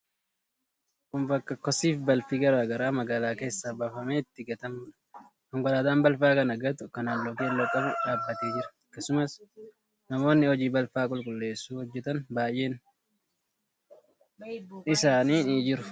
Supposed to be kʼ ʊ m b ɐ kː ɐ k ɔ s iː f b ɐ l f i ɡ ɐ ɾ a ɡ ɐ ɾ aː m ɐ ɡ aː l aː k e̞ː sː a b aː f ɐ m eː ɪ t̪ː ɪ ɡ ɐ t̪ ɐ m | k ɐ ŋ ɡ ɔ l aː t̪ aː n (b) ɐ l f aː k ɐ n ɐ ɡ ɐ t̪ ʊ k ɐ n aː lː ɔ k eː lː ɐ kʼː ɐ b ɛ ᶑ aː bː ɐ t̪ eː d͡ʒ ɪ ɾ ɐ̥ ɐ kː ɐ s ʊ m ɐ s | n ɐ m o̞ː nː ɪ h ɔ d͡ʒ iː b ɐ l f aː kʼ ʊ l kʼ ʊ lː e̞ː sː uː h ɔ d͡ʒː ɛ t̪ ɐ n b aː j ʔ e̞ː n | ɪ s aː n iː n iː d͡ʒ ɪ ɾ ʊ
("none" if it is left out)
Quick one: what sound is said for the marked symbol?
b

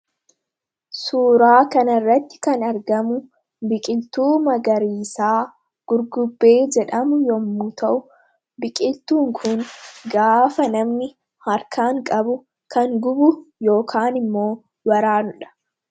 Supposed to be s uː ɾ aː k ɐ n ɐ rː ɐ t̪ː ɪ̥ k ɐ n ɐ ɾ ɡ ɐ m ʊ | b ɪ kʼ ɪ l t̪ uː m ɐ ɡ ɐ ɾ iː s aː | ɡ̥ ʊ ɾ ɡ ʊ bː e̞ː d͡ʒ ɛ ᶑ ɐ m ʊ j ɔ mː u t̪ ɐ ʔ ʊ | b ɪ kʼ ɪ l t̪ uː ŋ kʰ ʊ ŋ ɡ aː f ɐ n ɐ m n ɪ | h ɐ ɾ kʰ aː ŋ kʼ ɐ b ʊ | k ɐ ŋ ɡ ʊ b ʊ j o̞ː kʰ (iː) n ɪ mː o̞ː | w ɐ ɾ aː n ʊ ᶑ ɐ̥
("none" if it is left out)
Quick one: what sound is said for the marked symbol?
aː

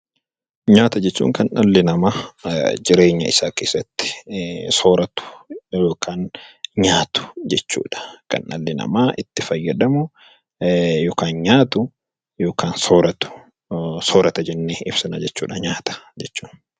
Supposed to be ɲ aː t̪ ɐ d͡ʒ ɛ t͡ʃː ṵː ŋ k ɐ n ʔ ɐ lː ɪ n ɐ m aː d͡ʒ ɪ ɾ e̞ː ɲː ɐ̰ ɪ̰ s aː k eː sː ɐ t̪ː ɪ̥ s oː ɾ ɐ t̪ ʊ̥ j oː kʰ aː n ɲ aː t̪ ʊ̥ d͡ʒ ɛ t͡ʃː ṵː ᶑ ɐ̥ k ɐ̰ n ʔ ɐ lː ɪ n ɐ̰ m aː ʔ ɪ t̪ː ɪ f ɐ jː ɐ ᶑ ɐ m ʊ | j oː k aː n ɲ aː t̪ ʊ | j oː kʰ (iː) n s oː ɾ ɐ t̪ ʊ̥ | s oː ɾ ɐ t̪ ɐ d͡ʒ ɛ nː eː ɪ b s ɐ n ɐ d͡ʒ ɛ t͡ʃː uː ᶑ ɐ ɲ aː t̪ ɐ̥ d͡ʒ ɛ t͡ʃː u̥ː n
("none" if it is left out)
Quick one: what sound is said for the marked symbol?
aː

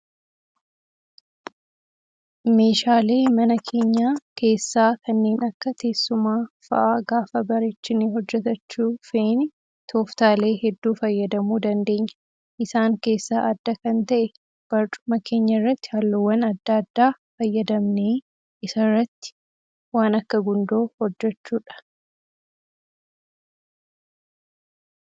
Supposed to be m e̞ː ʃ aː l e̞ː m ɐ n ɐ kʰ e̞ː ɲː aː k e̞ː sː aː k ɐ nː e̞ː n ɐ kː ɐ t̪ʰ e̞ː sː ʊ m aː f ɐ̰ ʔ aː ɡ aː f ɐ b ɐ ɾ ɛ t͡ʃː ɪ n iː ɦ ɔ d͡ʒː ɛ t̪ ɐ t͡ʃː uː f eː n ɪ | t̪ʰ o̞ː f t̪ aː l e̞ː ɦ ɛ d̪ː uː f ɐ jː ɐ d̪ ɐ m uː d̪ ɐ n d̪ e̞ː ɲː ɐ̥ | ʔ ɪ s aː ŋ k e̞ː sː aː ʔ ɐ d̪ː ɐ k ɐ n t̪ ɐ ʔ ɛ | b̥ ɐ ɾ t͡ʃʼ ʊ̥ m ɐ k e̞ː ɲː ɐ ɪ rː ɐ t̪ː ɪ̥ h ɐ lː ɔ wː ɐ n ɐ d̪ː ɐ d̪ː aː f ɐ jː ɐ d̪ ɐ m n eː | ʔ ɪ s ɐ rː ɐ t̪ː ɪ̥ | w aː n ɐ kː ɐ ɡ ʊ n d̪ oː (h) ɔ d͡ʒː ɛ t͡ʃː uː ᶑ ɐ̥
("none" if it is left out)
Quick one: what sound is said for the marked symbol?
h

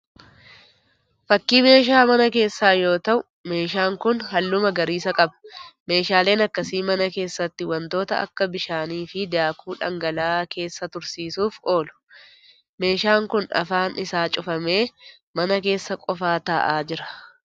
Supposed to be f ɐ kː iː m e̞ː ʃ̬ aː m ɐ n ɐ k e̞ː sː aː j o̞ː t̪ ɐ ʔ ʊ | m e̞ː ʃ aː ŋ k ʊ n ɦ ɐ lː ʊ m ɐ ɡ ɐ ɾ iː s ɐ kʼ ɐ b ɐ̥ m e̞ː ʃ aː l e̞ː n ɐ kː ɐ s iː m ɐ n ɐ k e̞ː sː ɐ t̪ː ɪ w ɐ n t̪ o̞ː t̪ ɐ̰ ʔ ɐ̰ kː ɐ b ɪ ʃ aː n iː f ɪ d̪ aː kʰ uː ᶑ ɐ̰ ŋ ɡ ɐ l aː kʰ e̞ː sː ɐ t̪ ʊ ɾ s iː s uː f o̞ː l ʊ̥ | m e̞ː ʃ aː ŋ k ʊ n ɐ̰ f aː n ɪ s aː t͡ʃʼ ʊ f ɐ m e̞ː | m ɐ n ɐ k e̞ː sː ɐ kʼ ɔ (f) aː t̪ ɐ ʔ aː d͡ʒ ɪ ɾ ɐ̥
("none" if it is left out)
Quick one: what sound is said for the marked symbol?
f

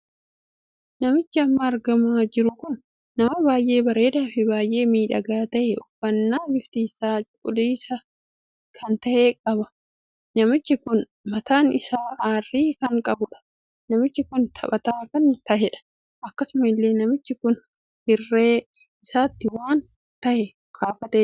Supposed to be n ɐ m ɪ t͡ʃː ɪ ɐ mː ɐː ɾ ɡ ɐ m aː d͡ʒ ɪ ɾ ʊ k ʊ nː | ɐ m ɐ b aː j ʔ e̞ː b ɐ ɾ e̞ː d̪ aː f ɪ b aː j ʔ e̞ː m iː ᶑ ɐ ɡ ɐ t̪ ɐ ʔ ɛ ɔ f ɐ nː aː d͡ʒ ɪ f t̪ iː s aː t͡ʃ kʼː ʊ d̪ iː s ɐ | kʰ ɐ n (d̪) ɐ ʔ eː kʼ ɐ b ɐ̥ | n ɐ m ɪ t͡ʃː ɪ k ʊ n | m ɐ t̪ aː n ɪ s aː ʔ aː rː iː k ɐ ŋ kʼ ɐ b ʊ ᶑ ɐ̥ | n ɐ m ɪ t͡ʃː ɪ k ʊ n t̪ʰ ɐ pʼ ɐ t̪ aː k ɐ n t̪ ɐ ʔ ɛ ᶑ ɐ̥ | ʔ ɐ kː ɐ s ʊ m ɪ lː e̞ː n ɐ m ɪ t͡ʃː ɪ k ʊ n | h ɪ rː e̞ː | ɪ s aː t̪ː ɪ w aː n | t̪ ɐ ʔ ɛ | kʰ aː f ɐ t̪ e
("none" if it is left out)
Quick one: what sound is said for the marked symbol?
t̪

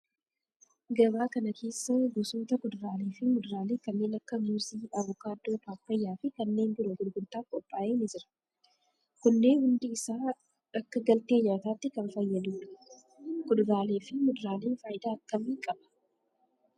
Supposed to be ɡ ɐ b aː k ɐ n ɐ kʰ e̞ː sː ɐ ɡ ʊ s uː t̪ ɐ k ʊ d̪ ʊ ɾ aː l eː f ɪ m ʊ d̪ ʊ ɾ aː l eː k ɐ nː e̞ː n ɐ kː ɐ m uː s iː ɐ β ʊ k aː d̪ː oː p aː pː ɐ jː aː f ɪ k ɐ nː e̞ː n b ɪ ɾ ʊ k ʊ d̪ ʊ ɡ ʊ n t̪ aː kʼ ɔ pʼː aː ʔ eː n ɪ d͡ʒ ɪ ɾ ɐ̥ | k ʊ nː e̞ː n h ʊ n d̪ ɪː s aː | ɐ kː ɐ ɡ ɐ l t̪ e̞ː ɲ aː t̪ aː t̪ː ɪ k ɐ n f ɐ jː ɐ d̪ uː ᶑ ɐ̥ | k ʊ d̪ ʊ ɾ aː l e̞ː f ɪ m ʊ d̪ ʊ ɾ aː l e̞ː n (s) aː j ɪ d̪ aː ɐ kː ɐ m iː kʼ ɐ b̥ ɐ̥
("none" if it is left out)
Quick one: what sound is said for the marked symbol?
f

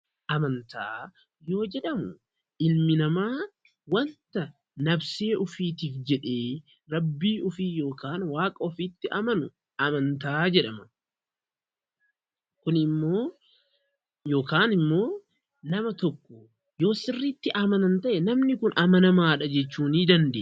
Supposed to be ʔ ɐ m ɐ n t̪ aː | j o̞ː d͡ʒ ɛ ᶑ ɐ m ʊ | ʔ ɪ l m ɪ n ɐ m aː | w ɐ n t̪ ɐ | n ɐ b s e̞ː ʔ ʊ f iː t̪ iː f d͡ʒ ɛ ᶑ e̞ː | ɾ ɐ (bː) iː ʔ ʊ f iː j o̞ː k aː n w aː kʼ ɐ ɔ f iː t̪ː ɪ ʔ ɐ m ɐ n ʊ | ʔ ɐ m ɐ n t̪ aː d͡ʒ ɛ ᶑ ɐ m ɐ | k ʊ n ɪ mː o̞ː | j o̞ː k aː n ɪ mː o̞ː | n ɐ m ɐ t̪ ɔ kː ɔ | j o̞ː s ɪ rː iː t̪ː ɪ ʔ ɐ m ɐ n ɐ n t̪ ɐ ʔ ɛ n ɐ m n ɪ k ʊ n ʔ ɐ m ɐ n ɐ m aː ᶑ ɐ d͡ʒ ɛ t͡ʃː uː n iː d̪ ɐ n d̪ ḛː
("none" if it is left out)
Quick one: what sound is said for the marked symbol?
bː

